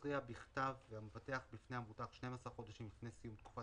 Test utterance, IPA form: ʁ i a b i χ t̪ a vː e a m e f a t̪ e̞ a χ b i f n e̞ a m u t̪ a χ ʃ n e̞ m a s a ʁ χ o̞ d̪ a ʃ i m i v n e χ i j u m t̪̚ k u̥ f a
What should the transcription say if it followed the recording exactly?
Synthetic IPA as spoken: ʁ i a b i χ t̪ a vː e a m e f a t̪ e̞ a χ b i f n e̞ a m u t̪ a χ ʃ n e̞ m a s a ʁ χ o̞ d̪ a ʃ i m i f n e s i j u m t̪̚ k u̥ f a